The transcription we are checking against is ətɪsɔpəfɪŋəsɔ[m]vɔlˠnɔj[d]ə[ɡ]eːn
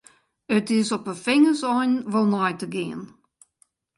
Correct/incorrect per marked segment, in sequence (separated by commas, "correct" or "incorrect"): incorrect, incorrect, correct